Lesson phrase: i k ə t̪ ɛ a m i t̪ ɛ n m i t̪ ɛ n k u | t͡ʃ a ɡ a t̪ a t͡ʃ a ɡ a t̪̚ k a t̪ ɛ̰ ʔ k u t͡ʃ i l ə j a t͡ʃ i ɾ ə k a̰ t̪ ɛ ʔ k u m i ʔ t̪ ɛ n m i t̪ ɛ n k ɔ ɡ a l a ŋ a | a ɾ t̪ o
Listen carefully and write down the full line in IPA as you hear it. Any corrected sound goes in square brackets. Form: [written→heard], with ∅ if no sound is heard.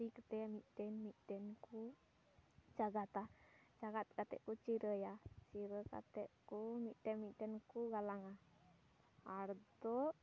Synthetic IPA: i k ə t̪ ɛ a m i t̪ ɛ n m i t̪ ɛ n k u | t͡ʃ a ɡ a t̪ a t͡ʃ a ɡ a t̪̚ k a t̪ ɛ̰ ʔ k u t͡ʃ i [l→ɾ] ə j a t͡ʃ i ɾ ə k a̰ t̪ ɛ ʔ k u m i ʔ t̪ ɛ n m i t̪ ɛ n k [ɔ→u] ɡ a l a ŋ a | a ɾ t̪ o